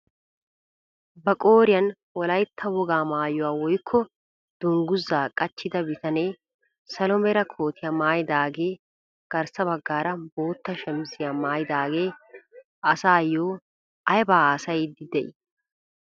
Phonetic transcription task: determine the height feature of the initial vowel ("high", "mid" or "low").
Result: low